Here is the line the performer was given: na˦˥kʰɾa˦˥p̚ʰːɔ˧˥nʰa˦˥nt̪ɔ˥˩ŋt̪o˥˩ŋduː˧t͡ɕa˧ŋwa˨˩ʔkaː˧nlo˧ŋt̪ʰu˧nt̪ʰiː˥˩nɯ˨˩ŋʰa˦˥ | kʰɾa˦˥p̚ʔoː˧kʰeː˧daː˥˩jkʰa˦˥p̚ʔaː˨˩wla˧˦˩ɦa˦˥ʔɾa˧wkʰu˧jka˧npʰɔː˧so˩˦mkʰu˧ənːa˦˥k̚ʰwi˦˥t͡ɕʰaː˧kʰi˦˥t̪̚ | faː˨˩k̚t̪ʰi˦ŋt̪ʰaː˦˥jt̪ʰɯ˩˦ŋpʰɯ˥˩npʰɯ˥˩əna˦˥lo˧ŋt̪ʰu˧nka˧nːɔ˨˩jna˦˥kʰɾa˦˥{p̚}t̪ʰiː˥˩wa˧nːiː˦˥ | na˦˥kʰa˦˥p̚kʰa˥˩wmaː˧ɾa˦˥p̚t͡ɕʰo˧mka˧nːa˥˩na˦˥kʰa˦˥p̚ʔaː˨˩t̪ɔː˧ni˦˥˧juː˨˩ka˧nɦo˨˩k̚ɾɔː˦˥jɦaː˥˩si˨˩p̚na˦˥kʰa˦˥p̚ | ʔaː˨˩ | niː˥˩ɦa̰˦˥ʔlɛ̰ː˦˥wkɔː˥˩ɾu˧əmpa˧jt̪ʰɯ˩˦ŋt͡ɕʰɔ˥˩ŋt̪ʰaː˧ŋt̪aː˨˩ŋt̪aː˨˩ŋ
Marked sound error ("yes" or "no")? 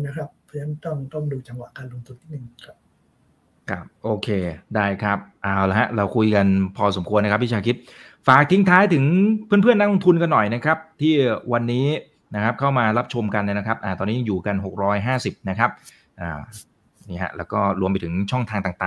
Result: no